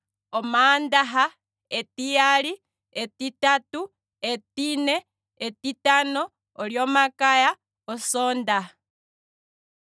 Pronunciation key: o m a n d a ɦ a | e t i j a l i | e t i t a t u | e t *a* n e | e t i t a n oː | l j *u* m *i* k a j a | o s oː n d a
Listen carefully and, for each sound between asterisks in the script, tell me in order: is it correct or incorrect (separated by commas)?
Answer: incorrect, incorrect, incorrect